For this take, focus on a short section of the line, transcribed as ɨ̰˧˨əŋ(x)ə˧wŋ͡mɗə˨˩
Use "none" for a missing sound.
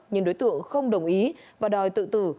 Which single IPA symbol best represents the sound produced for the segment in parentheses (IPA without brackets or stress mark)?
x